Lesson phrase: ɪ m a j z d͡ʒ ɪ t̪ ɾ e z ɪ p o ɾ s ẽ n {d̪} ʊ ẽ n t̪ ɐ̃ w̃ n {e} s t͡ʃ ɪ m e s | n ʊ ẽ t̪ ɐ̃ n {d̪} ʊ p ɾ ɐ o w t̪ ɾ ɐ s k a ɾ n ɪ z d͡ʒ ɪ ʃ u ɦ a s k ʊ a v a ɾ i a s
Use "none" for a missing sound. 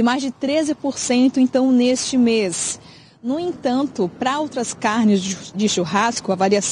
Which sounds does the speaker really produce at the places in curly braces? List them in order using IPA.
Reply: t̪, e, t̪

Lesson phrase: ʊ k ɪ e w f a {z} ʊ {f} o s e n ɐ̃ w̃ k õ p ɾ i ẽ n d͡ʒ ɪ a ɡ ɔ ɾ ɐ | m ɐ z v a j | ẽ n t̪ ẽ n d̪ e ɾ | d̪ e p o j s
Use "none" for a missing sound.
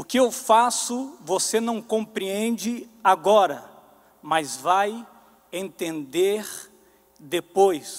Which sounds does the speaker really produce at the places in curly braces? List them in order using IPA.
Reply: s, v

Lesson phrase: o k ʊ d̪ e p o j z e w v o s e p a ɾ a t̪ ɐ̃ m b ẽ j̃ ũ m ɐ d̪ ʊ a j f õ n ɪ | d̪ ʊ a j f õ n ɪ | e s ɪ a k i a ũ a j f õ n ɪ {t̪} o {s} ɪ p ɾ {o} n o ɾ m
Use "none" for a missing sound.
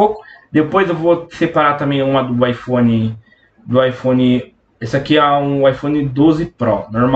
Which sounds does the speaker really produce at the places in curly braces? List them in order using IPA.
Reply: d̪, z, ɔ

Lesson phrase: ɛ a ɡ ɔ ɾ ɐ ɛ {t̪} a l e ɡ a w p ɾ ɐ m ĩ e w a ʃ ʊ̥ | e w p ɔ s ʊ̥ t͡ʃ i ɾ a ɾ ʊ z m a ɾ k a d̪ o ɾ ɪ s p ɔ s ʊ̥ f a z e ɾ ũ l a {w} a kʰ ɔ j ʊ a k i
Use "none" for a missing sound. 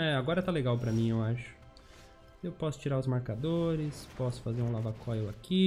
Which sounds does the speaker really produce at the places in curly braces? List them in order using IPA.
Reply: t̪, v

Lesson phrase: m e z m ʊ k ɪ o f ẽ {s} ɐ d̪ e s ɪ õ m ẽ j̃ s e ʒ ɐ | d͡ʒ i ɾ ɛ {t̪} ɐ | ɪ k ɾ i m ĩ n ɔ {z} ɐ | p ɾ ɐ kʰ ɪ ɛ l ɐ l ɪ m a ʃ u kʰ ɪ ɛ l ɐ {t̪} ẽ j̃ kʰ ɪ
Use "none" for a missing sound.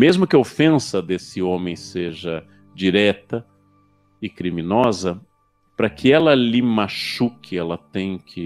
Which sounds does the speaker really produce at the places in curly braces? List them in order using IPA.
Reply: s, t̪, z, t̪

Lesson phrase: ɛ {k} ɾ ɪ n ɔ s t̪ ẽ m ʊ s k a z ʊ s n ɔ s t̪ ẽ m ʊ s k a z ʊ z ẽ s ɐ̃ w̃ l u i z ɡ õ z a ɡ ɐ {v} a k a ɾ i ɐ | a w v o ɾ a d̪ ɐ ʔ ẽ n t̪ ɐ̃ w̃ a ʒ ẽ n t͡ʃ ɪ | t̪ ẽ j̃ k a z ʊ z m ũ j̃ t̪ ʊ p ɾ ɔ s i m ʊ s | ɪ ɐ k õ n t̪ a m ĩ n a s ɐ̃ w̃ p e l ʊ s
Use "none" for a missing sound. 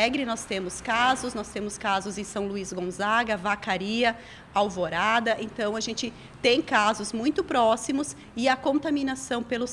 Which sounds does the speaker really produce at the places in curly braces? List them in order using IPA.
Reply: ɡ, v

